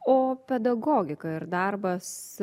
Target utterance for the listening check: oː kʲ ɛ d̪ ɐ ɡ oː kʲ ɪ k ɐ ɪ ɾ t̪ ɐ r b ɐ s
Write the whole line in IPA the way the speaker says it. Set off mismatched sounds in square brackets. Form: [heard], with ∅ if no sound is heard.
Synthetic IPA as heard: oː [pʲ] ɛ d̪ ɐ ɡ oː [ɡʲ] ɪ k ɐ ɪ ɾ [d̪] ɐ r b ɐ s